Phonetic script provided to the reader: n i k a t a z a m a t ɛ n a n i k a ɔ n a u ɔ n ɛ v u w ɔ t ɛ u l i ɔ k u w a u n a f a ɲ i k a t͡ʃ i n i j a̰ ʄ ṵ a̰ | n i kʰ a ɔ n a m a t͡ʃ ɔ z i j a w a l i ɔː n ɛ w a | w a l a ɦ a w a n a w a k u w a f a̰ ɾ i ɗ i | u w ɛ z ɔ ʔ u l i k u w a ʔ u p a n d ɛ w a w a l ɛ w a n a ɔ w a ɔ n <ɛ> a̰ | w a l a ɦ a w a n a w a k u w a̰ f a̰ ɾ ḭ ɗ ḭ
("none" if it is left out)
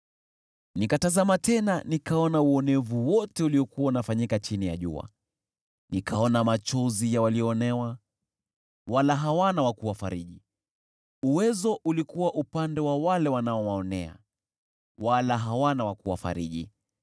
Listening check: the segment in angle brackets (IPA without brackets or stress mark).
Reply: ɛ